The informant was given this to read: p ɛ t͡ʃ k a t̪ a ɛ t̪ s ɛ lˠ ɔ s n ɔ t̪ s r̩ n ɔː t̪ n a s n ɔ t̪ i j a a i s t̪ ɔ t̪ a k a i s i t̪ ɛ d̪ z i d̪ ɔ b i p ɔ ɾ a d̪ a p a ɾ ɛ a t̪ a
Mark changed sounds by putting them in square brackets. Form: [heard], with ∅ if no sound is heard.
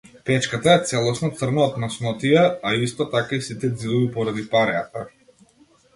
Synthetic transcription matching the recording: p ɛ t͡ʃ k a t̪ a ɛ t̪ s ɛ lˠ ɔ s n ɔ t̪ s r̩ n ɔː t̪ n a s n ɔ t̪ i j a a i s t̪ ɔ t̪ a k a i s i t̪ ɛ d̪ z i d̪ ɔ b i p ɔ ɾ a d̪ [i] p a ɾ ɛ a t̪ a

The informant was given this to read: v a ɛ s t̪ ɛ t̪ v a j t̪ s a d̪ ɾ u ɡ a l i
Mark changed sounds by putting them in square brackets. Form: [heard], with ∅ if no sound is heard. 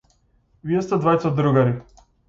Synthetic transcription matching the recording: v [i] ɛ s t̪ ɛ [d̪] v a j t̪ s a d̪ ɾ u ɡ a [ɾ] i

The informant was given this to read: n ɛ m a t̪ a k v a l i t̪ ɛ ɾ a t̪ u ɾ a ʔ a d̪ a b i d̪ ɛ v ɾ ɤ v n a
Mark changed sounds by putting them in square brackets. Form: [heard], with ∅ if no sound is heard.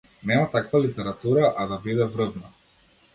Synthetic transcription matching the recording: n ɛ m a t̪ a k v a l i t̪ ɛ ɾ a t̪ u ɾ a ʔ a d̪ a b i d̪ ɛ v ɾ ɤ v n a

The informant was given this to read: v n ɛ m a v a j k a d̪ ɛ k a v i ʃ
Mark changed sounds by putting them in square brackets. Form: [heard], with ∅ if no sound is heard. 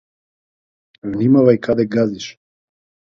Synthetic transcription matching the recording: v n [i] m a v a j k a d̪ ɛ [ɡ] a [z] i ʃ

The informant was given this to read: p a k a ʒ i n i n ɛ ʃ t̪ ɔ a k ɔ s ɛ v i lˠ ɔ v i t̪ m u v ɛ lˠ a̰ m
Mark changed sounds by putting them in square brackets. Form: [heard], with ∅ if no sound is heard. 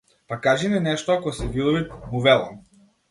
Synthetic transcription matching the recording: p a k a ʒ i n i n ɛ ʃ t̪ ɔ a k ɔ s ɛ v i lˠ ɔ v i t̪ m u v ɛ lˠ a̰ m

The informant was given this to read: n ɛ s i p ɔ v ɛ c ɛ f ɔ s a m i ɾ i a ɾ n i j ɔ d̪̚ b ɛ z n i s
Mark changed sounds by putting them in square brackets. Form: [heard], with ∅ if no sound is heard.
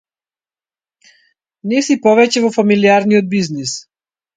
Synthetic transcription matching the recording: n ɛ s i p ɔ v ɛ c ɛ [v] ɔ [f] a m i [l] i a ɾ n i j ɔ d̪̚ b [i] z n i s

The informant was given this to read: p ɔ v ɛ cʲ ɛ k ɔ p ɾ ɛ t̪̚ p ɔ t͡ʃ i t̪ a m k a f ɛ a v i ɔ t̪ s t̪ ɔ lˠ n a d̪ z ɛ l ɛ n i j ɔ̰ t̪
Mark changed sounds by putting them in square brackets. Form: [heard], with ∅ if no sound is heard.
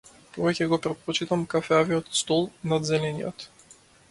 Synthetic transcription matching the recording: p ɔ v ɛ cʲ ɛ [ɡ] ɔ p ɾ ɛ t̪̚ p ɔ t͡ʃ i t̪ a m k a f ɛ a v i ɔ t̪ s t̪ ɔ lˠ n a d̪ z ɛ l ɛ n i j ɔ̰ t̪

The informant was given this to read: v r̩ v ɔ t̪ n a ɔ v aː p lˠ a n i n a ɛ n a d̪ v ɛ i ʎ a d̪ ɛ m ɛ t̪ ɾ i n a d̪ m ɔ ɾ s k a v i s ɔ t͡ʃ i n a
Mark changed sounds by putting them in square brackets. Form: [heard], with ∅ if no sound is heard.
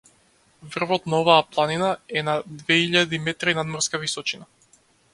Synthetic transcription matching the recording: v r̩ v ɔ t̪ n a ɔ v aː p lˠ a n i n a ɛ n a d̪ v ɛ i ʎ a d̪ [i] m ɛ t̪ ɾ i n a d̪ m ɔ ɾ s k a v i s ɔ t͡ʃ i n a

